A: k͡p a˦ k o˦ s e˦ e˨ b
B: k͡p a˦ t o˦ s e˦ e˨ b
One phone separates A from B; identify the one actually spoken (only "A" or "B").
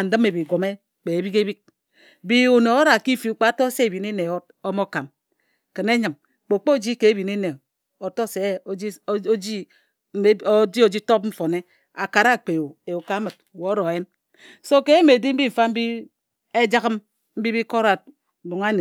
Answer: B